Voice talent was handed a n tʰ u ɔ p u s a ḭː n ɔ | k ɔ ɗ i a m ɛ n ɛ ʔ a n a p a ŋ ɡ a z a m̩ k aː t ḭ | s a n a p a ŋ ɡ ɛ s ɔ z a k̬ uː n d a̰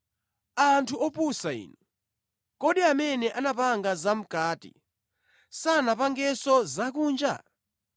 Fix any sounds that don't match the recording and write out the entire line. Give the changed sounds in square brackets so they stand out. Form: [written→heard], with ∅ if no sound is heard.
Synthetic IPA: a n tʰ u ɔ p u s a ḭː n ɔ | k ɔ ɗ i a m ɛ n ɛ ʔ a n a p a ŋ ɡ a z a m̩ k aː t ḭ | s a n a p a ŋ ɡ ɛ s ɔ z a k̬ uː n [d→d͡ʒ] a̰